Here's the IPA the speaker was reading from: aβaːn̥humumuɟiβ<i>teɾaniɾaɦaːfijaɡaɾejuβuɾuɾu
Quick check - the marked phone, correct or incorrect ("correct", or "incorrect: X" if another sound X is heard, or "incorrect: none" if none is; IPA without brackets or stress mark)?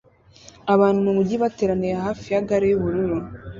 incorrect: a